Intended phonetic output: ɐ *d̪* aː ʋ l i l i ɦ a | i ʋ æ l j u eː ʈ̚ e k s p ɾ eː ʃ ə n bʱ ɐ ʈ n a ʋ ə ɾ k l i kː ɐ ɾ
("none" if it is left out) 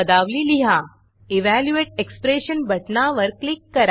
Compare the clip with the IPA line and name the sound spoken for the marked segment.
d̪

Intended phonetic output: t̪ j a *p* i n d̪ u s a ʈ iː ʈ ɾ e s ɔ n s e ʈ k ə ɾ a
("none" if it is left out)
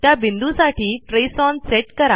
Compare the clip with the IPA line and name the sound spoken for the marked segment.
b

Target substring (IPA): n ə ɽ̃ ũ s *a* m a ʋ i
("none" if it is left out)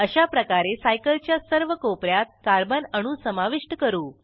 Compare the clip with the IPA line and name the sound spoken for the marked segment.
ə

